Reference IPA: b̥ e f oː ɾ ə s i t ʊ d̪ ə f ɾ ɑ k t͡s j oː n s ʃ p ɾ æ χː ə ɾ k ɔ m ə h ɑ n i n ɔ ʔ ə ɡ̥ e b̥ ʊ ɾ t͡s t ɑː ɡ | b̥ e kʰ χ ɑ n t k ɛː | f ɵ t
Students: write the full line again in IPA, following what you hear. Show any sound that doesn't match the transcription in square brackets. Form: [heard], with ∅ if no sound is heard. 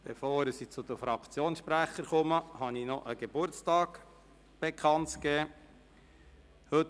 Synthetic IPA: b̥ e f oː ɾ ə s i [t͡s] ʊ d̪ ə f ɾ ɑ k t͡s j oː n s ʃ p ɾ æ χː ə ɾ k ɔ m ə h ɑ n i n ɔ ʔ ə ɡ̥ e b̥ ʊ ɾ t͡s t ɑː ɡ | b̥ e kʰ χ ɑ n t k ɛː | [h] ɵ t